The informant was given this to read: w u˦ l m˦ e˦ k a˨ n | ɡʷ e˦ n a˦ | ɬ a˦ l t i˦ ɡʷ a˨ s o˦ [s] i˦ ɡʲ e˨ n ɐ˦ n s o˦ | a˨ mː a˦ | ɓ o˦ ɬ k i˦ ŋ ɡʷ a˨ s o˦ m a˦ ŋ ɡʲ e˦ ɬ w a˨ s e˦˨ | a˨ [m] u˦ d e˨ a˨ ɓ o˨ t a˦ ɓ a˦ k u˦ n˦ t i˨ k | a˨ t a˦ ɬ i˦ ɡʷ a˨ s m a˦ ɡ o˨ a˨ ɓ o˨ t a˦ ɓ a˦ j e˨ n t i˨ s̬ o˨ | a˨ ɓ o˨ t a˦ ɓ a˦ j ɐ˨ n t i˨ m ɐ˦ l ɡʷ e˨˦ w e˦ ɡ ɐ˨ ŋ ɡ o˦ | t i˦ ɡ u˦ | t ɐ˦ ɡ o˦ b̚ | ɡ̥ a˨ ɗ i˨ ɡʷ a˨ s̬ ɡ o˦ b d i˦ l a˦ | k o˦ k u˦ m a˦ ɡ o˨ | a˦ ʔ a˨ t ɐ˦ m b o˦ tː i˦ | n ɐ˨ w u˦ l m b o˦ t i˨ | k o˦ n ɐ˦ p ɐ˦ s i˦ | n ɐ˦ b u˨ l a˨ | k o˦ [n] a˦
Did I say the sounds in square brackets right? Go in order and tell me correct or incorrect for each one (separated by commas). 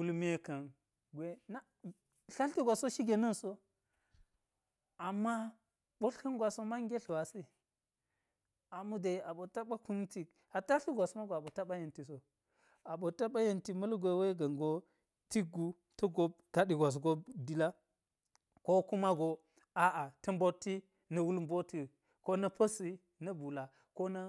incorrect, correct, correct